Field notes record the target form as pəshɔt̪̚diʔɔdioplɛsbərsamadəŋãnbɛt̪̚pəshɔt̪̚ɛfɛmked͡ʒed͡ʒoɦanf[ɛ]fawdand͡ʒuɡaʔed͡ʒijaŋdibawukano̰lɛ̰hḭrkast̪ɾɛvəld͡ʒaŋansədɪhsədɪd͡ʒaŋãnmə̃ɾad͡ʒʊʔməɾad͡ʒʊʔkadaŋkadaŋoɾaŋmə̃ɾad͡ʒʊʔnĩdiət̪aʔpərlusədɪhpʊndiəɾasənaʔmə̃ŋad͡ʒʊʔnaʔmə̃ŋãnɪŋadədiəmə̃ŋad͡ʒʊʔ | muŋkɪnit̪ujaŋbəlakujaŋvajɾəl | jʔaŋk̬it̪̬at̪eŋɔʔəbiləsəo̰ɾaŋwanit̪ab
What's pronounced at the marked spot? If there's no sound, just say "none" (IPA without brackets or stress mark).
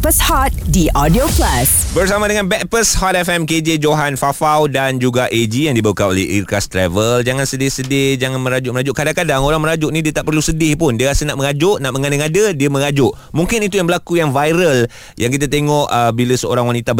a